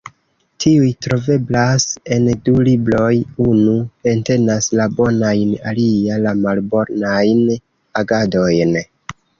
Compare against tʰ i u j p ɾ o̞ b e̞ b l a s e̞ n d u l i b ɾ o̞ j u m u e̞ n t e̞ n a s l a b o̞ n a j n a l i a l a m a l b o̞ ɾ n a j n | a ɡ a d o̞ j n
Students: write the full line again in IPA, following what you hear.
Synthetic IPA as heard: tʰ i u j t ɾ o̞ v e̞ b l a s e̞ n d u l i b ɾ o̞ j u n u e̞ n t e̞ n a s l a b o̞ n a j n a l i a l a m a l b o̞ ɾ n a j n | a ɡ a d o̞ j n